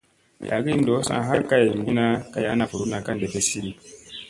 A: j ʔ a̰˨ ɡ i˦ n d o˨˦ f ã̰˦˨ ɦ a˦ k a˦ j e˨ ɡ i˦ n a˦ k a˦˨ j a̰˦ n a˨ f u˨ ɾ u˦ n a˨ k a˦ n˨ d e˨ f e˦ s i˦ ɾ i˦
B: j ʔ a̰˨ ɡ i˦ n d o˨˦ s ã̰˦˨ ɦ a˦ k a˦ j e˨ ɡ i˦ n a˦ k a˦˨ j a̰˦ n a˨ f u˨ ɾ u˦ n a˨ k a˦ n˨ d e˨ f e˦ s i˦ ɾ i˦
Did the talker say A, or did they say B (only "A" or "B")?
B